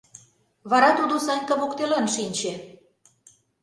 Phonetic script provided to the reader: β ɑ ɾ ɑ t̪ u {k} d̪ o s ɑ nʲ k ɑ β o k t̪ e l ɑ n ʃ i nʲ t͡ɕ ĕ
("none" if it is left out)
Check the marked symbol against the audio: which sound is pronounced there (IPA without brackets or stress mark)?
none